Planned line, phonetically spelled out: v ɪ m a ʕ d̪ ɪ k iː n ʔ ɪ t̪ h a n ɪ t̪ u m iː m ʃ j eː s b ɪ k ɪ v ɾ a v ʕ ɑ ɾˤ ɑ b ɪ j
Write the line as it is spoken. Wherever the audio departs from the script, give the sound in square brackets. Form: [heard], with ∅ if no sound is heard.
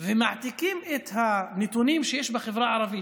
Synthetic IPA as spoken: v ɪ m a ʕ [t̪] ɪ k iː [m] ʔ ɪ t̪ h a n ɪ t̪ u [n] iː m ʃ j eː [ʃ] b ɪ [x] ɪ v ɾ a [∅] ʕ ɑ ɾˤ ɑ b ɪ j